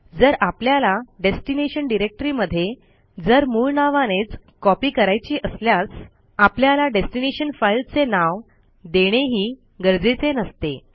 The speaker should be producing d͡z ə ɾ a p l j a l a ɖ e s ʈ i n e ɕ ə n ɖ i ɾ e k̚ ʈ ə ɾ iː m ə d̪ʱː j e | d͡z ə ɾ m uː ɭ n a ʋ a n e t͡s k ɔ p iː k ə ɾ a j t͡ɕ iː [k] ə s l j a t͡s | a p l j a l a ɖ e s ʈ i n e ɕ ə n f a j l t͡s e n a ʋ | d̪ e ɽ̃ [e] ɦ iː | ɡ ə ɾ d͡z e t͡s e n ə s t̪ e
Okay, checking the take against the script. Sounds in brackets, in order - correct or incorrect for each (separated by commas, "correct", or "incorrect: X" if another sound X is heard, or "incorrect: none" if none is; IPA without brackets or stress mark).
incorrect: ʔ, correct